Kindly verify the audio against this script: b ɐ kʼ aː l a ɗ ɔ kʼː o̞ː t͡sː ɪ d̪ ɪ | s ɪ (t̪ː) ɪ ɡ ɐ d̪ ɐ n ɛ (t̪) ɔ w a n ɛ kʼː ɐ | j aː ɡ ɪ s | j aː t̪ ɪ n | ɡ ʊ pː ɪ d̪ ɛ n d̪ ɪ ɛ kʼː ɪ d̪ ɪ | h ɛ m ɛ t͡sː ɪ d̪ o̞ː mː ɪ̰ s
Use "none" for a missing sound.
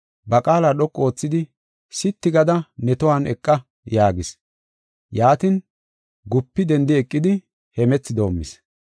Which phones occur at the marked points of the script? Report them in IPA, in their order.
t̪ː, t̪

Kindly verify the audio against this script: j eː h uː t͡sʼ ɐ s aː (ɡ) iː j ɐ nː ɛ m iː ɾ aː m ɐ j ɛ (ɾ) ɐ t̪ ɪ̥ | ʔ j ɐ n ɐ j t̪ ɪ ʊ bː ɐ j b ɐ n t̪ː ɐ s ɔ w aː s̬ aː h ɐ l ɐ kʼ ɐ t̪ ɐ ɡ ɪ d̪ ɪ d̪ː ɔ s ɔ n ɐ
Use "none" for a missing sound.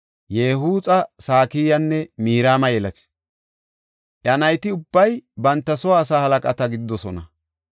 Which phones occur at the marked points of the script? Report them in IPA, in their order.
k, l

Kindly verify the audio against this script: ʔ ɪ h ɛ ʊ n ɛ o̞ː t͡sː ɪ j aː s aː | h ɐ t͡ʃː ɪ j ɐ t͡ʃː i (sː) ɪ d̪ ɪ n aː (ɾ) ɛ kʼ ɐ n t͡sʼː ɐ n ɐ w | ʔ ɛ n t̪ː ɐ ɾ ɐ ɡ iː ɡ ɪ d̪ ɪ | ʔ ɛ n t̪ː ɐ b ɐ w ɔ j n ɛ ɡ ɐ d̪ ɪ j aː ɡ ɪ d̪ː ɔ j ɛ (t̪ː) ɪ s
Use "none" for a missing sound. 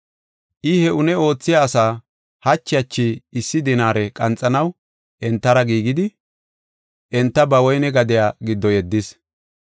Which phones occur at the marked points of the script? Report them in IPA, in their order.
sː, ɾ, d̪ː

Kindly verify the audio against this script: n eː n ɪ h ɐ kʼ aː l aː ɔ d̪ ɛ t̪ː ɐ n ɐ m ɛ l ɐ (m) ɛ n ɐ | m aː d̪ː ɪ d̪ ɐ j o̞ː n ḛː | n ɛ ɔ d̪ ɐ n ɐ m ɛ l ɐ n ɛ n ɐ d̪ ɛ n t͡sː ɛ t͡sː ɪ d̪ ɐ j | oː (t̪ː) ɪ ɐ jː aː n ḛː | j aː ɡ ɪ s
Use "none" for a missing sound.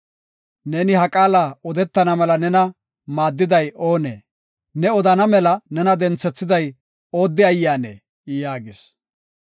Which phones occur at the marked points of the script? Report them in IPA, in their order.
n, d̪ː

